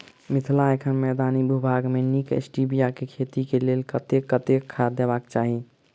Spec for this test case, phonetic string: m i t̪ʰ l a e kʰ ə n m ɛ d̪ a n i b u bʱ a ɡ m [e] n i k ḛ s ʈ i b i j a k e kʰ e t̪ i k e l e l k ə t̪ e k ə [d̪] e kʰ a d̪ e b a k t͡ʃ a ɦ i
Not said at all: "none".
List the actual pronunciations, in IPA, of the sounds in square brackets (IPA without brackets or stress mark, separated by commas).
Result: e, t̪